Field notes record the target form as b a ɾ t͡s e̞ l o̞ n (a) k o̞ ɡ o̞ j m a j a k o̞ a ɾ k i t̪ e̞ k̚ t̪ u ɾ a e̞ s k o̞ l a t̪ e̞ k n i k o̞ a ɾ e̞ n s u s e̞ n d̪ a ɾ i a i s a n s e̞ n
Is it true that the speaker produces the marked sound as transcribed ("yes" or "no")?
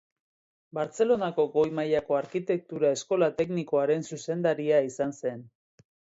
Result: yes